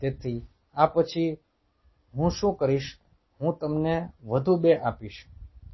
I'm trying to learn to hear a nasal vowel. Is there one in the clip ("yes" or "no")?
yes